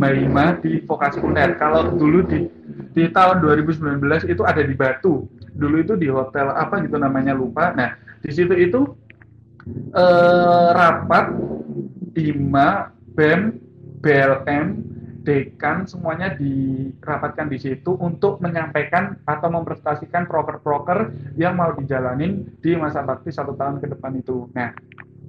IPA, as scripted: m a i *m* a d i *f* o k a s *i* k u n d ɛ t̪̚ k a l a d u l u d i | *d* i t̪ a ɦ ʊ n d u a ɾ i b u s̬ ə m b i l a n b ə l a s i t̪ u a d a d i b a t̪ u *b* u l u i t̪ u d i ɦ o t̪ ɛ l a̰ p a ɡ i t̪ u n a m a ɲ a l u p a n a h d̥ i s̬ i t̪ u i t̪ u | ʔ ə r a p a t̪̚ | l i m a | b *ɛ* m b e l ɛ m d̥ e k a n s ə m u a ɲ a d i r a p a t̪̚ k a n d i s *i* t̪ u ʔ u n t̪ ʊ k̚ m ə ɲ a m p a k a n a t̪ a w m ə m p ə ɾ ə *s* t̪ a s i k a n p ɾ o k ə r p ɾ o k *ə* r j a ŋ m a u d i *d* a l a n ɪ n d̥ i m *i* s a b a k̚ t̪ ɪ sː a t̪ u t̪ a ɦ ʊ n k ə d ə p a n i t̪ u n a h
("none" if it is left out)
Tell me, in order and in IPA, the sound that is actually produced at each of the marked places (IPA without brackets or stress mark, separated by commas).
m, f, i, d, d, ɛ, i, s, ə, d͡ʒ, a